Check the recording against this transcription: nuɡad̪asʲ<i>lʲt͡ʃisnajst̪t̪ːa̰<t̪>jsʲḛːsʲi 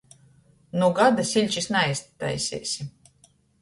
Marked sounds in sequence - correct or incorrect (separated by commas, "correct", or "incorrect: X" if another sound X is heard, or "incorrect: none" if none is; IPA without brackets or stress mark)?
correct, incorrect: none